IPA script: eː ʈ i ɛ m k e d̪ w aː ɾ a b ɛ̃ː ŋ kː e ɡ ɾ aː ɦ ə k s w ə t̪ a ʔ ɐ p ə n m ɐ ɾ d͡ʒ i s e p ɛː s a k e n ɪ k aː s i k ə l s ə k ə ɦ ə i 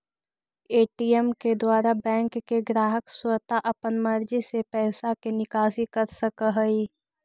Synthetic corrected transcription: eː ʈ i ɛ m k e d̪ w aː ɾ a b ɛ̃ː ŋ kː e ɡ ɾ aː ɦ ə k s w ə t̪ a ʔ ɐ p ə n m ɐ ɾ d͡ʒ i s e p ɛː s a k e n ɪ k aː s i k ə ɾ s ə k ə ɦ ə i